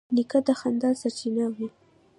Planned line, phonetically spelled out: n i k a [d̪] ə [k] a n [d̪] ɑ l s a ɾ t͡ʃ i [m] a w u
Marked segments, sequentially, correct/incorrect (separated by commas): correct, incorrect, correct, incorrect